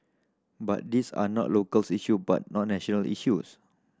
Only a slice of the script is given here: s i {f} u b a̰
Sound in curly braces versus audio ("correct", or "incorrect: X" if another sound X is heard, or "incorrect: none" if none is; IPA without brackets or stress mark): incorrect: ʃ